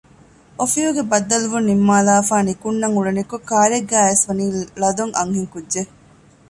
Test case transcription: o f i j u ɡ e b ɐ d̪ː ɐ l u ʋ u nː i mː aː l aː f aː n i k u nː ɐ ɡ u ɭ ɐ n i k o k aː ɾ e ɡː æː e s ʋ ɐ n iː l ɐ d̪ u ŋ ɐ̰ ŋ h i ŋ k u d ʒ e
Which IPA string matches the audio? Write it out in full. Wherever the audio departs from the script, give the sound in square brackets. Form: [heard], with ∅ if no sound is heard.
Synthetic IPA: o f i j u ɡ e b ɐ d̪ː ɐ l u ʋ u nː i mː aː l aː f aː n i k u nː ɐ [ŋ] u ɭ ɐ n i k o k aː ɾ e ɡː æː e s ʋ ɐ n iː l ɐ d̪ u ŋ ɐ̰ ŋ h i ŋ k u d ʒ e